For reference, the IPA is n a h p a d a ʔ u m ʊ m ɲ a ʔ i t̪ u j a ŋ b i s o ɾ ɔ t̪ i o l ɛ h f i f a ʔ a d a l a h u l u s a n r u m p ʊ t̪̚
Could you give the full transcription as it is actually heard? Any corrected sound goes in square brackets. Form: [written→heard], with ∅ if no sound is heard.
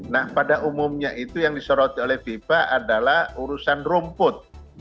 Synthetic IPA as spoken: n a h p a d a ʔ u m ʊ m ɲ a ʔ i t̪ u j a ŋ [b→d] i s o ɾ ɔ t̪ i o l ɛ h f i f a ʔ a d a l a h u [l→ɾ] u s a n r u m p ʊ t̪̚

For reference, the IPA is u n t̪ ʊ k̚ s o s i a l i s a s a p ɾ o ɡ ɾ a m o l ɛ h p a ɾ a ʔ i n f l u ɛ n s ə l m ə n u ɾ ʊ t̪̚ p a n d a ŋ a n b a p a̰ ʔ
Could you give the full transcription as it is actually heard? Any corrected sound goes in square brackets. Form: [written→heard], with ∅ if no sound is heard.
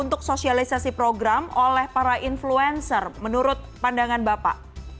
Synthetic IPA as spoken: u n t̪ ʊ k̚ s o s i a l i s a s [a→i] p ɾ o ɡ ɾ a m o l ɛ h p a ɾ a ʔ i n f l u ɛ n s ə [l→r] m ə n u ɾ ʊ t̪̚ p a n d a ŋ a n b a p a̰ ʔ

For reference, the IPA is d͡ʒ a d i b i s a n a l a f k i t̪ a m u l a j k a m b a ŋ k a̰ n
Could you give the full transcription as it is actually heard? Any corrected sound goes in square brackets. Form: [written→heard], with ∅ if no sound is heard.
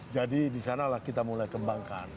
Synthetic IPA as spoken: d͡ʒ a d i [b→d] i s a n a l a [f→h] k i t̪ a m u l a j k [a→ə] m b a ŋ k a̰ n

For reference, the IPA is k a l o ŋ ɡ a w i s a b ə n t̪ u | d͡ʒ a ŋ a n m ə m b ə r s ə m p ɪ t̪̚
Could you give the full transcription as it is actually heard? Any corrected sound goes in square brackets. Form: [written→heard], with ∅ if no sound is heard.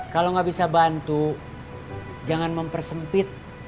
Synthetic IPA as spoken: k a l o ŋ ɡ a [w→b] i s a b [ə→a] n t̪ u | d͡ʒ a ŋ a n m ə m [b→p] ə r s ə m p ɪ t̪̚

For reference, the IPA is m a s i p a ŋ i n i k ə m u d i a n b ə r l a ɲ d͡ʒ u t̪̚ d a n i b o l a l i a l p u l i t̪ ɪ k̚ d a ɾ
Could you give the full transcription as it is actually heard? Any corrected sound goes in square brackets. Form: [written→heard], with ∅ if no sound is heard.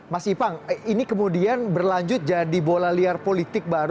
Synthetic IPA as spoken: m a s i p a ŋ i n i k ə m u d i a n b ə r l a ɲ d͡ʒ [u→ʊ] t̪̚ [d→d͡ʒ] a [n→d] i b o l a l i a [l→r] p [u→o] l i t̪ ɪ k̚ [d→b] a ɾ

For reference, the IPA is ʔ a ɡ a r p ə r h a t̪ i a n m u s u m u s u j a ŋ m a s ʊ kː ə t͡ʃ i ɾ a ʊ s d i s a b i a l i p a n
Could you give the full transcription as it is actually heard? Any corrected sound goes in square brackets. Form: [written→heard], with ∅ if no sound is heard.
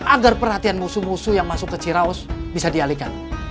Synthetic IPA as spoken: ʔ a ɡ a r p ə r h a t̪ i a n m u s u m u s u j a ŋ m a s ʊ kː ə t͡ʃ i ɾ a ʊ s [d→b] i s a [b→d] i a l i [p→k] a n

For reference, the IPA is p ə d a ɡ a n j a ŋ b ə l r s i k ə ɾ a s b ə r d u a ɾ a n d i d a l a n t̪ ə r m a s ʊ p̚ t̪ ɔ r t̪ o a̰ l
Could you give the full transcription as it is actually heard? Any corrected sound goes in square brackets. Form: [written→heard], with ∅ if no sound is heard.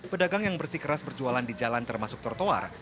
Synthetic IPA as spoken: p ə d a ɡ a [n→ŋ] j a ŋ b ə [l→∅] r s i k ə ɾ a s b ə r [d→d͡ʒ] u a [ɾ→l] a n d i [d→d͡ʒ] a l a n t̪ ə r m a s ʊ [p̚→k̚] t̪ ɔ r t̪ o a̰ [l→r]

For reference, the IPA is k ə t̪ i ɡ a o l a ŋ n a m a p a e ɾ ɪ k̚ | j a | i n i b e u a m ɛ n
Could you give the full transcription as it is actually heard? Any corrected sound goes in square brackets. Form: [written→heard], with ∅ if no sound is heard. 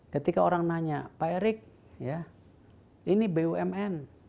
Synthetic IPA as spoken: k ə t̪ i [ɡ→k] a o [l→ɾ] a ŋ n a [m→ɲ] a p a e ɾ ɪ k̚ | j a | i n i b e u [a→ɛ] m ɛ n

